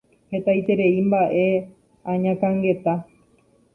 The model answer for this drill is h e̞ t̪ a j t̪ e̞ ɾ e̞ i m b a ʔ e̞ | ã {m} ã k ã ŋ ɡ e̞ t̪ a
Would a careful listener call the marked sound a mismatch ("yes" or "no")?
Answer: yes